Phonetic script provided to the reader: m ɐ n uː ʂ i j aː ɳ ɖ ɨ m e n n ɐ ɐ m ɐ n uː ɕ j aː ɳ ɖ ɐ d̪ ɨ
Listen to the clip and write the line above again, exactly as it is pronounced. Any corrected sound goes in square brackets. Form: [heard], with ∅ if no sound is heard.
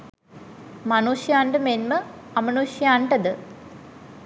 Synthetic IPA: m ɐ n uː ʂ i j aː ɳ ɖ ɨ m e n [m] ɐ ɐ m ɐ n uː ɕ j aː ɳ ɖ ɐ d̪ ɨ